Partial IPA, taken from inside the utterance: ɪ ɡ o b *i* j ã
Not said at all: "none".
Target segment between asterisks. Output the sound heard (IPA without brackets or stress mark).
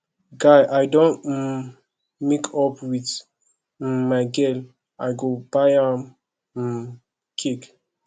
a